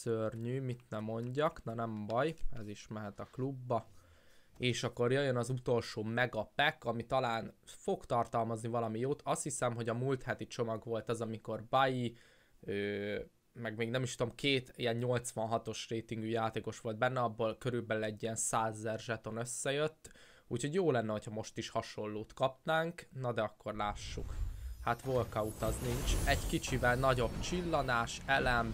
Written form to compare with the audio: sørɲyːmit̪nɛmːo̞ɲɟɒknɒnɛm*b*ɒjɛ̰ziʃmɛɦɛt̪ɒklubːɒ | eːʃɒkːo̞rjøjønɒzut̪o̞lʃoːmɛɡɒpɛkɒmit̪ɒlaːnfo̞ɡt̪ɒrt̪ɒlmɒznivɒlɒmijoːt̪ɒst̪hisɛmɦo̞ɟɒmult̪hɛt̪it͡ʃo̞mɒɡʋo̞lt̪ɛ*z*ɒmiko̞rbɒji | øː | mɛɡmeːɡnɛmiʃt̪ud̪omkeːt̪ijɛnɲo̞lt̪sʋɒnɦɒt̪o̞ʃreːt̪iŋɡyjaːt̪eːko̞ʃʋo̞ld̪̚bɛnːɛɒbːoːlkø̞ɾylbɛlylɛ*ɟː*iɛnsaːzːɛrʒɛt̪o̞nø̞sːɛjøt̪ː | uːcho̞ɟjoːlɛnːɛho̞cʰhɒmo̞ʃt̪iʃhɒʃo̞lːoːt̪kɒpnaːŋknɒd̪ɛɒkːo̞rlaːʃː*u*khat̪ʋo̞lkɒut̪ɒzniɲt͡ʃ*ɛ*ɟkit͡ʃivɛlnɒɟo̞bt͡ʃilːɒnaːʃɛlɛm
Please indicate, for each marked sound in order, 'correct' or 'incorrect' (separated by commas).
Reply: correct, correct, correct, correct, correct